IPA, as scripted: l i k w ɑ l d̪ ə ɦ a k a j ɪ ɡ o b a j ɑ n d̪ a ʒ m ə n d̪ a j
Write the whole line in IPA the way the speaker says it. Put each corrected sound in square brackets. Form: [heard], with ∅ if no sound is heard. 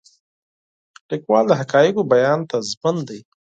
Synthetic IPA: l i k w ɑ l d̪ ə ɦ a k [ɑ] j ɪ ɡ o b a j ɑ n [t̪] a [z] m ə n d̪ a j

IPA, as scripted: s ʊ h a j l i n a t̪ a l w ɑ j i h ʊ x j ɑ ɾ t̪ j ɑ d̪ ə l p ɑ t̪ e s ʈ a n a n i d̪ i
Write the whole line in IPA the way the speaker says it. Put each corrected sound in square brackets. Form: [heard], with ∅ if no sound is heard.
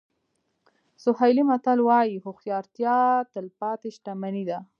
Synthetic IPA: s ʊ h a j l i [m] a t̪ a l w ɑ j i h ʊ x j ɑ ɾ t̪ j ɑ [t̪] ə l p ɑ t̪ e [ʃ] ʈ a [m] a n i d̪ [a]

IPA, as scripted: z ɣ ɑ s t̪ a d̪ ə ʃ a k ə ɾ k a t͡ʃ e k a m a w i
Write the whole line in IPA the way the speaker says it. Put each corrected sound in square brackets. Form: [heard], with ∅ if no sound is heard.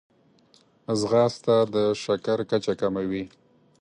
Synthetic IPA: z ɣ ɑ s t̪ a d̪ ə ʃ a k [a] ɾ k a t͡ʃ [a] k a m a w i

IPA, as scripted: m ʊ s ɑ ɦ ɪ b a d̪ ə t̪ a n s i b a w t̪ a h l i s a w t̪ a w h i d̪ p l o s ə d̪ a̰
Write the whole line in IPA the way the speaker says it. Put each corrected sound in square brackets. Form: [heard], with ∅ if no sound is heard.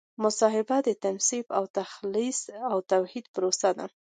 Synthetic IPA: m ʊ s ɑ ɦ ɪ b a d̪ ə t̪ a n s i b a w t̪ a [x] l i s a w t̪ a w h i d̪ p [ɾ] o s [a] d̪ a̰

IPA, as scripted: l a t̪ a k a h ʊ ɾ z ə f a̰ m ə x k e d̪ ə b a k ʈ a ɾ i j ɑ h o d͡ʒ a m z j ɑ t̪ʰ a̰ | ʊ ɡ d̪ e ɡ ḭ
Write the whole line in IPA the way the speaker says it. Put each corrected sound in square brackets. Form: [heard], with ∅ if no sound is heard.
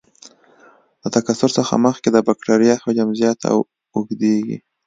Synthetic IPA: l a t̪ a k a [s] ʊ ɾ [s] ə [x] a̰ m ə x k e d̪ ə b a k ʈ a ɾ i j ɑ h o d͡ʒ a m z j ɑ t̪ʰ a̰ | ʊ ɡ d̪ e ɡ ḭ

